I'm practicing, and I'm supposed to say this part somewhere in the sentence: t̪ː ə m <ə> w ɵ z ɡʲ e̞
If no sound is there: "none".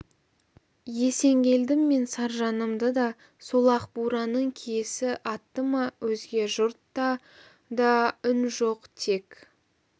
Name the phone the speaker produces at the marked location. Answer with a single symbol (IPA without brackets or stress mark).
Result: ɑ